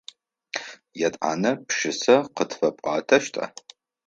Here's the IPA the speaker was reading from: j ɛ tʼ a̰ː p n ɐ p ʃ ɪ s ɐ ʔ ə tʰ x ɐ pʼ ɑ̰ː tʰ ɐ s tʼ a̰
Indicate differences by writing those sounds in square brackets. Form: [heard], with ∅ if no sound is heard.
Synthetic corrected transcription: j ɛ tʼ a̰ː [∅] n ɐ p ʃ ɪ s ɐ [q] ə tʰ [f] ɐ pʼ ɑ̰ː tʰ ɐ [ʃ] tʼ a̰